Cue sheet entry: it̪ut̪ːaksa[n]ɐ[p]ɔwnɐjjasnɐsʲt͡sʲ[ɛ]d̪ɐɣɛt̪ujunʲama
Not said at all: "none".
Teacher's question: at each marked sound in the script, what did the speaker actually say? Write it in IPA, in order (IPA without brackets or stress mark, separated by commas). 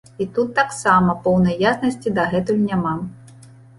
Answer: m, p, i